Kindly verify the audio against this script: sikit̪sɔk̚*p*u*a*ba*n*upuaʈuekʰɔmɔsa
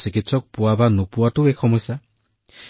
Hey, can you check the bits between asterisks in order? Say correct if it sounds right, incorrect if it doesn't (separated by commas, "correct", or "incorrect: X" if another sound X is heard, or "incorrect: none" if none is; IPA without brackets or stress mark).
correct, correct, correct